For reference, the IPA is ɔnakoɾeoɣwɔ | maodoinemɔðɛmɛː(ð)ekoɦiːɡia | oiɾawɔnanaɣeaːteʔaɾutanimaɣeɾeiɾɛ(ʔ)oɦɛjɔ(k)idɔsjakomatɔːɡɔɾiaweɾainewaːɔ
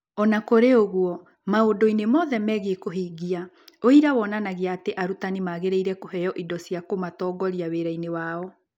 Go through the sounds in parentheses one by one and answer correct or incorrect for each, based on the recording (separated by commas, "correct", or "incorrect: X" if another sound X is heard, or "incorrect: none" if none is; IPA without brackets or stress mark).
incorrect: ɣ, incorrect: k, incorrect: ʔ